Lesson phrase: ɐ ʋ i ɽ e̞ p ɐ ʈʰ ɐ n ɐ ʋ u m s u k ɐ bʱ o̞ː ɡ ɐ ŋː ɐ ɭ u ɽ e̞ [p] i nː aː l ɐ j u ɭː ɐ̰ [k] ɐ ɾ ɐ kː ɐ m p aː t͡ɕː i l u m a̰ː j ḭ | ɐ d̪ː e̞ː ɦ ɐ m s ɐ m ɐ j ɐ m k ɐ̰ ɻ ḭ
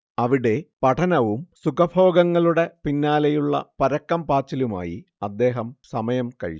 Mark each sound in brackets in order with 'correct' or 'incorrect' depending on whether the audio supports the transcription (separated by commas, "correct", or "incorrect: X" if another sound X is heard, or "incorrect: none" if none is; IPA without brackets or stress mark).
correct, incorrect: p